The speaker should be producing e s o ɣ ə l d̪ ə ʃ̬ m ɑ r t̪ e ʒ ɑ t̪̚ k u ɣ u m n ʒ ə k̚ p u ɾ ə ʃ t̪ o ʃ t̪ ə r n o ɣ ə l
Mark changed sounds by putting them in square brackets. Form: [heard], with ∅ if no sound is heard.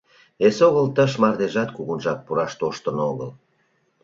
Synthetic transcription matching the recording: e s o ɣ ə l [t̪] ə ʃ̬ m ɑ r [d̪] e ʒ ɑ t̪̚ k u ɣ u [∅] n ʒ [ɑ] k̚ p u ɾ [ɑ] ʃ t̪ o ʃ t̪ ə [∅] n o ɣ ə l